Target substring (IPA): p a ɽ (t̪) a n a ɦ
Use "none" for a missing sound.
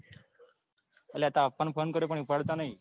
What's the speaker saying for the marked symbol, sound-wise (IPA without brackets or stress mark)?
t̪